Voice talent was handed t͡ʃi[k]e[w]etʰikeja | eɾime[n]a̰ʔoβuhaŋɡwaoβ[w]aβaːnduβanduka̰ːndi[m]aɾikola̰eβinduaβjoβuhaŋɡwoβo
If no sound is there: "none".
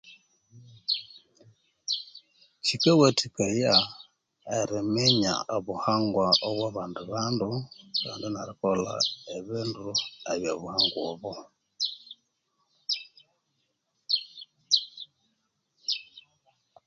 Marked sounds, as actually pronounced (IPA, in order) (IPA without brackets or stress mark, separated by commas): k, w, ɲ, w, n